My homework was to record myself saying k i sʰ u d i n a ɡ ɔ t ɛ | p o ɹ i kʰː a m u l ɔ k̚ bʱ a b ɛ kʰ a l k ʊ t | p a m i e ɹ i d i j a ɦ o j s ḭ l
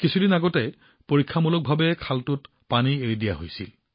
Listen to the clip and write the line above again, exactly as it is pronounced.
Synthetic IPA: k i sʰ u d i n a ɡ ɔ t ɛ | p o ɹ i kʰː a m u l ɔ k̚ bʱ a b ɛ kʰ a l t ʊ t | p a n i e ɹ i d i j a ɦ o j s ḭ l